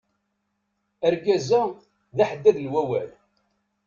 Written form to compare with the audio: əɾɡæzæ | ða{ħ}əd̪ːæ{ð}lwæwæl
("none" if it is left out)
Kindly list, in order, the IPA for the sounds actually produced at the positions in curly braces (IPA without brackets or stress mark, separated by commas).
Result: ħ, ð